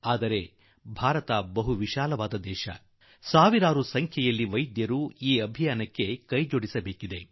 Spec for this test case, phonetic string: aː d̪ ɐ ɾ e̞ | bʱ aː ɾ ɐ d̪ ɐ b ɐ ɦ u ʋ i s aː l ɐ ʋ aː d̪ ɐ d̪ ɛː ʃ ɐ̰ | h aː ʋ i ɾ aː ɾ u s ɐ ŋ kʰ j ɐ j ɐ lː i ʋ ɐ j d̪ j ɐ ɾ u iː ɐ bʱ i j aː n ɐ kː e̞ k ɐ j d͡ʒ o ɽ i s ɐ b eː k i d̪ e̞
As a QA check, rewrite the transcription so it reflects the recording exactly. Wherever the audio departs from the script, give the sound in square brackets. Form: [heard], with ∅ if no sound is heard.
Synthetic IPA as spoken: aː d̪ ɐ ɾ e̞ | bʱ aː ɾ ɐ [t̪] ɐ b ɐ ɦ u ʋ i [ʃ] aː l ɐ ʋ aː d̪ ɐ d̪ ɛː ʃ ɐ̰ | [s] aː ʋ i ɾ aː ɾ u s ɐ ŋ kʰ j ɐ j ɐ lː i ʋ ɐ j d̪ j ɐ ɾ u iː ɐ bʱ i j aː n ɐ kː e̞ k ɐ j d͡ʒ o ɽ i s ɐ b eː k i d̪ e̞